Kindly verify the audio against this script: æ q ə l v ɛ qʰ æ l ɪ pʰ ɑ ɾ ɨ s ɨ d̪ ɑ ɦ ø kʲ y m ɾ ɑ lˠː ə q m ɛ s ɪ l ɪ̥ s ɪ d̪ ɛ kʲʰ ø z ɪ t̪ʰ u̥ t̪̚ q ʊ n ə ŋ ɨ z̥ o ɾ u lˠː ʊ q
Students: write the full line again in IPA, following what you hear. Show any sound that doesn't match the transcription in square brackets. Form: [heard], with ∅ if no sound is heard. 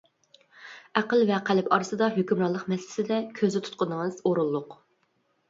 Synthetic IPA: æ q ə l v ɛ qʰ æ l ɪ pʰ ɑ ɾ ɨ s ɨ d̪ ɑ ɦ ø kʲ y m ɾ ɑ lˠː ə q m ɛ s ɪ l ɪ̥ s ɪ d̪ ɛ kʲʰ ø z ɪ t̪ʰ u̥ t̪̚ q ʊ n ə ŋ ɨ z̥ o ɾ u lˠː ʊ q